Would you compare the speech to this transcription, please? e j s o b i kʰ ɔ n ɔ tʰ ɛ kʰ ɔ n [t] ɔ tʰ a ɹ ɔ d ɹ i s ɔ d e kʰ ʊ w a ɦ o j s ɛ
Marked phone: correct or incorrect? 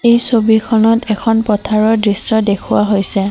incorrect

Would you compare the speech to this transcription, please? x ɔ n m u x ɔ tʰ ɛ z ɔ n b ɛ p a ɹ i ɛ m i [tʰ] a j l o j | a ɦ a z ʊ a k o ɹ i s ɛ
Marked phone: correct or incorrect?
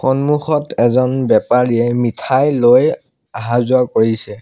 correct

